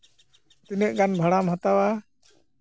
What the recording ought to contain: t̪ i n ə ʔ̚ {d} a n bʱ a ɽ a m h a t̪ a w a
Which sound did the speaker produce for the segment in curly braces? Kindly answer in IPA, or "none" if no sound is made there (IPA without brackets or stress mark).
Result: ɡ